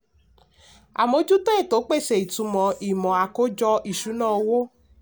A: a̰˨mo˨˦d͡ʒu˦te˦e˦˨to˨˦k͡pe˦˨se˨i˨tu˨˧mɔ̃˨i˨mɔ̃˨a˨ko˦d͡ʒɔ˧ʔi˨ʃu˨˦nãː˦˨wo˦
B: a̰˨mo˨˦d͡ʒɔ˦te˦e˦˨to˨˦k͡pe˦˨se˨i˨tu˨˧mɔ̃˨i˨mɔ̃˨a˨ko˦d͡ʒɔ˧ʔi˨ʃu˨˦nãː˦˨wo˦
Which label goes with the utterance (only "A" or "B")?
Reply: A